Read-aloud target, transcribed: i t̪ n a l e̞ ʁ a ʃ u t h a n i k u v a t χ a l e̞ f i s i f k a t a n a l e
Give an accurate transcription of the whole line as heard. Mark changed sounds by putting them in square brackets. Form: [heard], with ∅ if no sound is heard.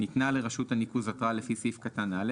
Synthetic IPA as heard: i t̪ n a l e̞ ʁ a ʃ u t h a n i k u [z] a t [ʁ] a l e̞ f i s i f k a t a n a l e

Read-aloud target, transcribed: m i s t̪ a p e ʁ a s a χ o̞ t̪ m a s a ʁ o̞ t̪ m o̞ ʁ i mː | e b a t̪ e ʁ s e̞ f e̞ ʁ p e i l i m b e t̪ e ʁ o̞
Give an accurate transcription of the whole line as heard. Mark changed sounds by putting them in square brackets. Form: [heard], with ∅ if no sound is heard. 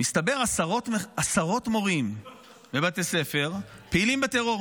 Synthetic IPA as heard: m i s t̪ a [b] e ʁ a s a [ʁ] o̞ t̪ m a s a ʁ o̞ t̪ m o̞ ʁ i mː | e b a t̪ e [∅] s e̞ f e̞ ʁ p e i l i m b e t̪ e ʁ o̞

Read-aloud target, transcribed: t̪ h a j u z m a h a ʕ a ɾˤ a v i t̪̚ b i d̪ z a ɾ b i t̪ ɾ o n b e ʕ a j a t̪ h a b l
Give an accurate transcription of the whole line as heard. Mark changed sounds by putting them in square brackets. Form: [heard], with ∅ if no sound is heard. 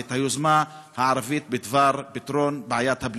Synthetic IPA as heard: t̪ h a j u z m a h a ʕ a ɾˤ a v i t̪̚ b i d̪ [v] a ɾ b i t̪ ɾ o n b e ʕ a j a t̪ h a b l

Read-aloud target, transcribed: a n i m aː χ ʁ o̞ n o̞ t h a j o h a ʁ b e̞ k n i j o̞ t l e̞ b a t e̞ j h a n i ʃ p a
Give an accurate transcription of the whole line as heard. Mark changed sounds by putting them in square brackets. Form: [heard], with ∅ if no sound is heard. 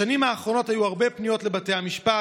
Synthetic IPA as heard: a n i m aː χ ʁ o̞ n o̞ t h a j [u] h a ʁ b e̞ [p] n i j o̞ t l e̞ b a t e̞ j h a [m] i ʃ p a

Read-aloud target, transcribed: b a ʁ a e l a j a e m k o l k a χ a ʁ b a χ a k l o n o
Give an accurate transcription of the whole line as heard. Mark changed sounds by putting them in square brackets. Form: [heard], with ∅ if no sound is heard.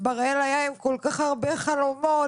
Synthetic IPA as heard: b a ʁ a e l a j a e m k o l k a χ a ʁ b [e] χ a [∅] l o [m] o

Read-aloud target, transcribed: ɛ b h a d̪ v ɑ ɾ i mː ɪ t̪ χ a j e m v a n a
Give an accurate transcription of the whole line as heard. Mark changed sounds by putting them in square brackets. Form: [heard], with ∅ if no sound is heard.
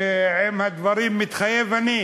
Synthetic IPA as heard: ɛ [m] h a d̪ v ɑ ɾ i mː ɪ t̪ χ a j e [∅] v a n [i]

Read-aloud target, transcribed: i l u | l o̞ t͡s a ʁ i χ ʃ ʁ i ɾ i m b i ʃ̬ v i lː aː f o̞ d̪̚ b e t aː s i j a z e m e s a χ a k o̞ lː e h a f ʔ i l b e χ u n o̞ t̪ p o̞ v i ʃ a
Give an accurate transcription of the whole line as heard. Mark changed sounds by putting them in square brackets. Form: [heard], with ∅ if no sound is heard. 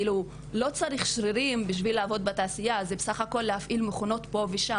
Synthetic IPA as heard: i l u | l o̞ t͡s a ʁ i χ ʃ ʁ i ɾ i m b i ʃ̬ v i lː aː [v] o̞ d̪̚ b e t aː s i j a z e [b] e s a χ a k o̞ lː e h a f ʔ i l [m] e χ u n o̞ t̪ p o̞ v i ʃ a

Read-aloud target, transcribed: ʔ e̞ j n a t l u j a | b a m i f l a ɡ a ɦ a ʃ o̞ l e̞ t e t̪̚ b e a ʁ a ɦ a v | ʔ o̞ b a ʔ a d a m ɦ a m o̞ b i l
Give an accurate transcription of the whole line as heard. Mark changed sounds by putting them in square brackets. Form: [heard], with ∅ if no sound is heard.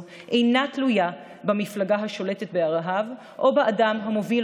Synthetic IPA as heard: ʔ e̞ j n a t l u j a | b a m i f l a ɡ a ɦ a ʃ o̞ l e̞ t e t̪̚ b e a ʁ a ɦ a v | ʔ o̞ b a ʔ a d a m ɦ a m o̞ [v] i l

